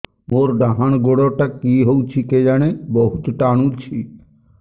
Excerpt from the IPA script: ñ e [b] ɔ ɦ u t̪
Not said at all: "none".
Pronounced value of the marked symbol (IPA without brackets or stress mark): b